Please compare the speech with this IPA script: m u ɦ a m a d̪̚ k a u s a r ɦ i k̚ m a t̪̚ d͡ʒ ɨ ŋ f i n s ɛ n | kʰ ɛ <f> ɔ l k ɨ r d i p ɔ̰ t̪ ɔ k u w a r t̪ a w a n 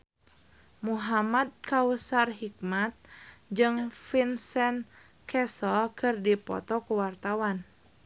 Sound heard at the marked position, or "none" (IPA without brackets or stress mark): s